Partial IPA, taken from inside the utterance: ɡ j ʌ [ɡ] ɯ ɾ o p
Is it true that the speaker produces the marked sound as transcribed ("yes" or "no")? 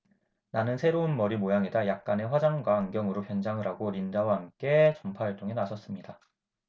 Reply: no